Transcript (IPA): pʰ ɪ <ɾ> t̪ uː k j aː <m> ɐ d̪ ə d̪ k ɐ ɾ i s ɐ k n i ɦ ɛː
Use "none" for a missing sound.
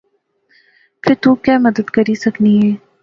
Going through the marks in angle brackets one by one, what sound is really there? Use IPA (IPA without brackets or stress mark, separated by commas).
ɾ, m